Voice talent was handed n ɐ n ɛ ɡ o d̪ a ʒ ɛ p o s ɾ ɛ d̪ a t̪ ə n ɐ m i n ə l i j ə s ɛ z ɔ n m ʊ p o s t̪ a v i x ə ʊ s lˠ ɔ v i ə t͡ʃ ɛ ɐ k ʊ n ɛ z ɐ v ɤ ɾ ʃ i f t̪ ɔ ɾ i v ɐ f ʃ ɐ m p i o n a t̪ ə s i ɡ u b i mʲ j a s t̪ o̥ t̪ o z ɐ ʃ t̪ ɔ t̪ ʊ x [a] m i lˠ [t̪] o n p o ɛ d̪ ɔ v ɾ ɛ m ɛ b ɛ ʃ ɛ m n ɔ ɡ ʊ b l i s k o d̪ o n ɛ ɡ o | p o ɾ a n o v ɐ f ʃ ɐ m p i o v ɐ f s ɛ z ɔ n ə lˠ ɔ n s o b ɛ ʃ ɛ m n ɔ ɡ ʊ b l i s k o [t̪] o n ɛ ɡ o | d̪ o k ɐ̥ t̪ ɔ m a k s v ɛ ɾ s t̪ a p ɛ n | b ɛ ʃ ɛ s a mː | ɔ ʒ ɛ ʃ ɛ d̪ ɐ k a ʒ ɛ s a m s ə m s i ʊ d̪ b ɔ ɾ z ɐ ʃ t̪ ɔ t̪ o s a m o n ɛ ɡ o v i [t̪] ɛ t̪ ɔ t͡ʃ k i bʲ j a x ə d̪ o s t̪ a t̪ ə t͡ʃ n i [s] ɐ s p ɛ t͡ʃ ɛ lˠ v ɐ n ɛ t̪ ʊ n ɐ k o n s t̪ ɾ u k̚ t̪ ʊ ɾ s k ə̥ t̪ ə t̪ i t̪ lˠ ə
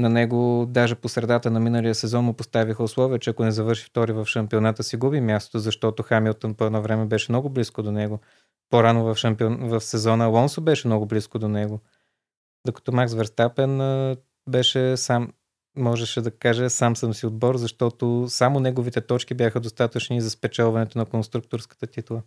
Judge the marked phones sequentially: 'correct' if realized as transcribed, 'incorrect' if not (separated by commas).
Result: correct, correct, incorrect, correct, incorrect